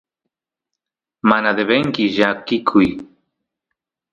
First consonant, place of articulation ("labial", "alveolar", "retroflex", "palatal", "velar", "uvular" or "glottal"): labial